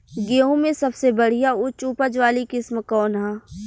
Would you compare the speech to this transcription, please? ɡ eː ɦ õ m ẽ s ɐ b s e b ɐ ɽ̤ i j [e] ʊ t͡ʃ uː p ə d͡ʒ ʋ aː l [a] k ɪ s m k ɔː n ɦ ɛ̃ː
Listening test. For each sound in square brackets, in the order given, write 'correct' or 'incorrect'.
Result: incorrect, incorrect

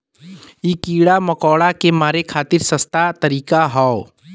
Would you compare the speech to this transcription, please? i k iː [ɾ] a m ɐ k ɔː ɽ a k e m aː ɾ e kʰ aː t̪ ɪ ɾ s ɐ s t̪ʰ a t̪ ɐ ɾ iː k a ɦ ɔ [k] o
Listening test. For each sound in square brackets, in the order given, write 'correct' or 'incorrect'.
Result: incorrect, incorrect

